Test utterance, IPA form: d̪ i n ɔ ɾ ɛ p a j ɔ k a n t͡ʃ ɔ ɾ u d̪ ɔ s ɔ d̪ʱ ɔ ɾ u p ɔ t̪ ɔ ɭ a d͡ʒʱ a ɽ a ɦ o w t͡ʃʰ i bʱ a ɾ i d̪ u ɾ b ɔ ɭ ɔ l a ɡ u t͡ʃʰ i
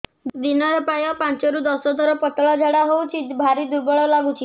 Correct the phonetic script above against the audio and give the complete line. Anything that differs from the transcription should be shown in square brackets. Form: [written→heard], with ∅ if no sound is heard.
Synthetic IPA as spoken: d̪ i n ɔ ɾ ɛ p a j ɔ [k→p] a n t͡ʃ ɔ ɾ u d̪ ɔ s ɔ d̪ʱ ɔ ɾ [u→ɔ] p ɔ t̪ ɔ ɭ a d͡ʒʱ a ɽ a ɦ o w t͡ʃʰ i bʱ a ɾ i d̪ u ɾ b ɔ ɭ ɔ l a ɡ u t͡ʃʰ i